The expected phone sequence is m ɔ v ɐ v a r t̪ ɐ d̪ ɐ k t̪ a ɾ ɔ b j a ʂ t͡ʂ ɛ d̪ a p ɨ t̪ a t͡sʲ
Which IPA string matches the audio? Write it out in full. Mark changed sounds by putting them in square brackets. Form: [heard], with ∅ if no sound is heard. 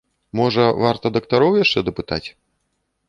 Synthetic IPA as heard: m ɔ [ʐ] ɐ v a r t̪ ɐ d̪ ɐ k t̪ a ɾ ɔ [w] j a ʂ t͡ʂ ɛ d̪ [ɐ] p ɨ t̪ a t͡sʲ